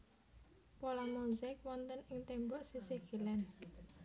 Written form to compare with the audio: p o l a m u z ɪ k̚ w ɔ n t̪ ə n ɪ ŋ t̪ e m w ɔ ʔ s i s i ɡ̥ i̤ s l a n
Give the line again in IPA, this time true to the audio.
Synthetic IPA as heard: p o l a m u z ɪ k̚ w ɔ n t̪ ə n ɪ ŋ t̪ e m b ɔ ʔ s i s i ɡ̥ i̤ l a n